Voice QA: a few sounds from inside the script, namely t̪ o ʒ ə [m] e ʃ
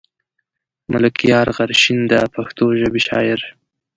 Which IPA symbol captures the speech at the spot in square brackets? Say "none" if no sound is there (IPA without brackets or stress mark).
b